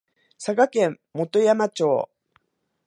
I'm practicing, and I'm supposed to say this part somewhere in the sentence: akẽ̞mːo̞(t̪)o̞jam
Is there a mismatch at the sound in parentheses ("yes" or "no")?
no